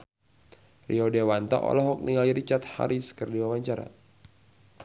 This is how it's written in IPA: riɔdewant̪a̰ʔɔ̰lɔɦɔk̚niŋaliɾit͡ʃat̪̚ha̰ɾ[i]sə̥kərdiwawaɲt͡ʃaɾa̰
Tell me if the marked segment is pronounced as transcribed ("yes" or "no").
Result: yes